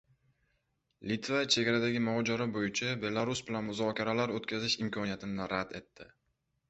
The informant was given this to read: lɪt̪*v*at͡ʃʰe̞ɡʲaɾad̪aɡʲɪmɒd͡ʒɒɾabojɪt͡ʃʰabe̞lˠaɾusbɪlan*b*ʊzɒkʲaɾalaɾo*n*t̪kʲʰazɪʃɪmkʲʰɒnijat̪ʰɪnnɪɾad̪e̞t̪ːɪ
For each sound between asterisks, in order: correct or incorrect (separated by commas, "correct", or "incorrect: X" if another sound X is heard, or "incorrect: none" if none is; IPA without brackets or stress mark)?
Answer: correct, incorrect: m, incorrect: none